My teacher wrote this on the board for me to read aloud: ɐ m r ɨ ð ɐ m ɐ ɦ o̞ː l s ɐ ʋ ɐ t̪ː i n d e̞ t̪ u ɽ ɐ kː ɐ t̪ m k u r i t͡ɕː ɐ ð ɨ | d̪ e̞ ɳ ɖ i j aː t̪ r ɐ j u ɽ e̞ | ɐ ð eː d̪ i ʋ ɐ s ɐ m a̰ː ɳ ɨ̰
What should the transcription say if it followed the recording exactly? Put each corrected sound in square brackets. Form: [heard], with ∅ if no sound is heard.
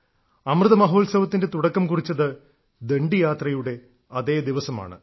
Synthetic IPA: ɐ m r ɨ ð ɐ m ɐ ɦ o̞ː l s ɐ ʋ ɐ t̪ː i n d e̞ t̪ u ɽ ɐ kː ɐ [∅] m k u r i t͡ɕː ɐ ð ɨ | d̪ e̞ ɳ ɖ i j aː t̪ r ɐ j u ɽ e̞ | ɐ ð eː d̪ i ʋ ɐ s ɐ m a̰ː ɳ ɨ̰